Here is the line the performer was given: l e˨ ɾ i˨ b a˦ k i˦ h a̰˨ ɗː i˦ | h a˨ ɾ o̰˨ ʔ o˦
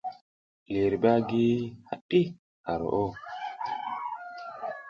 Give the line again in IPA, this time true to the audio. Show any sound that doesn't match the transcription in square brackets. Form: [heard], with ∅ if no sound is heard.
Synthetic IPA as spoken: l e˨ ɾ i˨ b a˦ [ɡ] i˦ h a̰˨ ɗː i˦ | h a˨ ɾ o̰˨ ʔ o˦